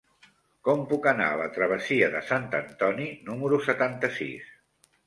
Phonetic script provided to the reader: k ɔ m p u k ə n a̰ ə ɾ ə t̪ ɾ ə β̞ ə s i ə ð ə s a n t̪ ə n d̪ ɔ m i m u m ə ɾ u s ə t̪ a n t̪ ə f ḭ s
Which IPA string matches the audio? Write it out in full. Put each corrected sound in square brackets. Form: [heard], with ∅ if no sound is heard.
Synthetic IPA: k ɔ m p u k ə n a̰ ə [l] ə t̪ ɾ ə β̞ ə s i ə ð ə s a n t̪ ə n [t̪] ɔ [n] i [n] u m ə ɾ u s ə t̪ a n t̪ ə [s] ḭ s